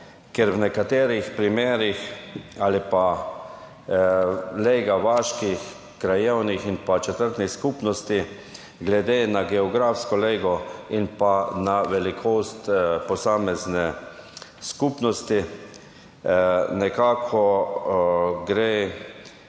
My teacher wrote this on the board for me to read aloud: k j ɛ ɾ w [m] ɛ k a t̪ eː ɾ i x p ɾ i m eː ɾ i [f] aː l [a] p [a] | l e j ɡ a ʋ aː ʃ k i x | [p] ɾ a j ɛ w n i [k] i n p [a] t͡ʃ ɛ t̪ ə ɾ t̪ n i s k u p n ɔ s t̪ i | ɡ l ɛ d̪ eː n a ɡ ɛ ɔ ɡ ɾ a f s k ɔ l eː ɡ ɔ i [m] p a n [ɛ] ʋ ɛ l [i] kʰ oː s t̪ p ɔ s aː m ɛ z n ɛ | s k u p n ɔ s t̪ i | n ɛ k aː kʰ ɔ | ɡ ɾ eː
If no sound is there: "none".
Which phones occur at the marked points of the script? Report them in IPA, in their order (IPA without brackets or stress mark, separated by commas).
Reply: n, x, i, a, k, x, a, n, a, i